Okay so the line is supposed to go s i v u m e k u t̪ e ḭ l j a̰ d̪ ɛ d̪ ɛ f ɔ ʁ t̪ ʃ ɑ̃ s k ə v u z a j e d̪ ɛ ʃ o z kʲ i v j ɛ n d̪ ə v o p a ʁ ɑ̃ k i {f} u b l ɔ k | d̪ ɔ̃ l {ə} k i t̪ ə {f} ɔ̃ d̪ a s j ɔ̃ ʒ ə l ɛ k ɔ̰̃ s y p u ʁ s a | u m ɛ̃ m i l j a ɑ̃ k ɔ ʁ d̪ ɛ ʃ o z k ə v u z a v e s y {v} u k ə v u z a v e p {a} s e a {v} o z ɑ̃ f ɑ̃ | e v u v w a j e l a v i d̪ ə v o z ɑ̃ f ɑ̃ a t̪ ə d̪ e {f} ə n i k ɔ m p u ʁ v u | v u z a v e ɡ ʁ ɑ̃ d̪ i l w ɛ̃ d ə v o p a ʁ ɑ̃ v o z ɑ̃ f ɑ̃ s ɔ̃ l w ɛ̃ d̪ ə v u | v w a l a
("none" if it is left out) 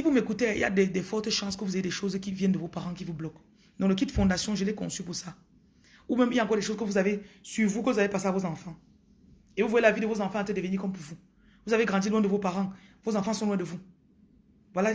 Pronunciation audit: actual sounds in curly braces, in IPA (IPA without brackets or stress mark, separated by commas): v, ə, f, v, a, v, v